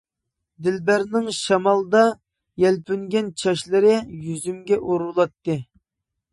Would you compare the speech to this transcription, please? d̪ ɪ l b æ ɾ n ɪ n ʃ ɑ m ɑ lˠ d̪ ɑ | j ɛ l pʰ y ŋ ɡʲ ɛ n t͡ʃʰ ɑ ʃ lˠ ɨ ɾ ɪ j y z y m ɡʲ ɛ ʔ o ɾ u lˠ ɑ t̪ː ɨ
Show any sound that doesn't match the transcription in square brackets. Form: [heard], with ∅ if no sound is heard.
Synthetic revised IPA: d̪ ɪ l b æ ɾ n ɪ [ŋ] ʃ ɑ m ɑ lˠ d̪ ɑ | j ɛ l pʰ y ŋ ɡʲ ɛ n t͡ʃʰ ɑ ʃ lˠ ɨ ɾ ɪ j y z y m ɡʲ ɛ ʔ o ɾ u lˠ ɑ t̪ː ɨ